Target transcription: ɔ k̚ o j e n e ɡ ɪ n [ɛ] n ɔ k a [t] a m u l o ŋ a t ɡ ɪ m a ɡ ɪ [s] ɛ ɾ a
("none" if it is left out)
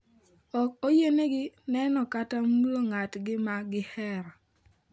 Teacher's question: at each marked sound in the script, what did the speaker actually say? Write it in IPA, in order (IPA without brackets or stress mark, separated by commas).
ɛ, t, h